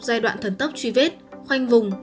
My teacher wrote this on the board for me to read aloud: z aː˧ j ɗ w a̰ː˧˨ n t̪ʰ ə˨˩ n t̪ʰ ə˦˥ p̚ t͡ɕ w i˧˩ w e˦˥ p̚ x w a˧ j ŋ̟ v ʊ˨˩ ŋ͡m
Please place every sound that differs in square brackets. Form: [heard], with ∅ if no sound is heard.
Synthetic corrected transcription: z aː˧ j ɗ w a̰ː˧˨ n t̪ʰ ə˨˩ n [t̪] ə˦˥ p̚ t͡ɕ w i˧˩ [v] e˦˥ [t̚] x w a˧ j ŋ̟ v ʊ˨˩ ŋ͡m